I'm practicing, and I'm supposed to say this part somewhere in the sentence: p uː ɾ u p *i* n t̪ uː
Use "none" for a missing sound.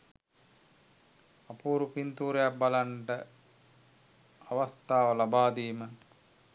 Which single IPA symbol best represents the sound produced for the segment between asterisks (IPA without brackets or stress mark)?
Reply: i